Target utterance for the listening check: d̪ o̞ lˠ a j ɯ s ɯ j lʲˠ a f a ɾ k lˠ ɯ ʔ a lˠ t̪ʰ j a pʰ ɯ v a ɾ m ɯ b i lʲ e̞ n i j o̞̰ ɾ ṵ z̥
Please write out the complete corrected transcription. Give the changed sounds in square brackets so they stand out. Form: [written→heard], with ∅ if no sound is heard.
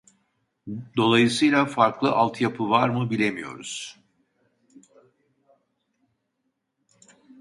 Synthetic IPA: d̪ o̞ lˠ a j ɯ s ɯ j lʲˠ a f a ɾ k lˠ ɯ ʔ a lˠ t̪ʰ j a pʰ ɯ v a ɾ m ɯ b i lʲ e̞ [n→m] i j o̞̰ ɾ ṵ z̥